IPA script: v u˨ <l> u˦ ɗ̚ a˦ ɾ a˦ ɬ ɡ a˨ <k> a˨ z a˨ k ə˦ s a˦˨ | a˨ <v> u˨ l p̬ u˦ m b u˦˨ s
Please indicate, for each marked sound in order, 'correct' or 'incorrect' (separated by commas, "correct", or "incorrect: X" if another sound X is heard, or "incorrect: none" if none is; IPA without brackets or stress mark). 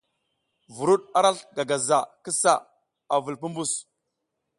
incorrect: ɾ, incorrect: ɡ, correct